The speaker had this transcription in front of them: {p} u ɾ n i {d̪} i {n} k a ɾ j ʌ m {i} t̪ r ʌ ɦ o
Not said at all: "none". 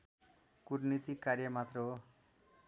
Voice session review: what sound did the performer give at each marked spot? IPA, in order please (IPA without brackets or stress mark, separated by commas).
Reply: k, t̪, none, a